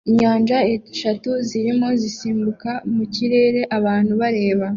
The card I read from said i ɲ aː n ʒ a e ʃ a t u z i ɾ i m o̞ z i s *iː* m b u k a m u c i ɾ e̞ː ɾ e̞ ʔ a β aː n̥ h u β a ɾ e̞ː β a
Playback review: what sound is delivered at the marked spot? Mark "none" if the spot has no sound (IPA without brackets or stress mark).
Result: iː